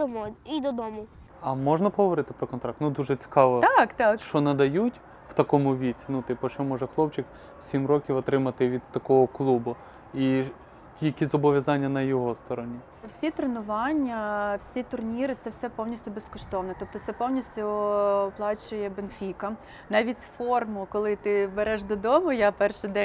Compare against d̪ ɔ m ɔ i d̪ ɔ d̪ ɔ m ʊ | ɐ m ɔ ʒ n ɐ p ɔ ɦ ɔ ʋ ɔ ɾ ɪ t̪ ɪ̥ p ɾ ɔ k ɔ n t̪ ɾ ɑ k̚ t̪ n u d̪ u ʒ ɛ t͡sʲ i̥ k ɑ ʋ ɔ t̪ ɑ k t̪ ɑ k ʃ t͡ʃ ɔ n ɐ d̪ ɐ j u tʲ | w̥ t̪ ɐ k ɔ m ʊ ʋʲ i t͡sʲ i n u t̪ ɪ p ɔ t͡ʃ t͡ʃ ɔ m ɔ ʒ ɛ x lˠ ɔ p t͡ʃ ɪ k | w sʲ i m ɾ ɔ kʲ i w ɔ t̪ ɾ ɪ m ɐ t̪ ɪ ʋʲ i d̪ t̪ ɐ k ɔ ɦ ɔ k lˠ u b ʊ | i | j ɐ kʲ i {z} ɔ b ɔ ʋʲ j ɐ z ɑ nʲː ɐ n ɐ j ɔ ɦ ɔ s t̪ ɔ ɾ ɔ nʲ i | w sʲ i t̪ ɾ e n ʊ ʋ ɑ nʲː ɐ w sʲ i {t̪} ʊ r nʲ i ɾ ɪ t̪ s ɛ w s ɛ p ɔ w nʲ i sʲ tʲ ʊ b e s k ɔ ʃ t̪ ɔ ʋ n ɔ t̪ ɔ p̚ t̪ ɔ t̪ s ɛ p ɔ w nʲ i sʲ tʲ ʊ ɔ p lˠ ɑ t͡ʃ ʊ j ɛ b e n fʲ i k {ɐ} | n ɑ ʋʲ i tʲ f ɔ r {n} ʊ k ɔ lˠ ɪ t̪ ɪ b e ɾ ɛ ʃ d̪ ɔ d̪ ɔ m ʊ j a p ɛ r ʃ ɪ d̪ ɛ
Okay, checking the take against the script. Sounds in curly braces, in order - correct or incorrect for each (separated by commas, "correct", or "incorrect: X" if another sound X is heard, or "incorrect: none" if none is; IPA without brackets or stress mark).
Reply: correct, correct, correct, incorrect: m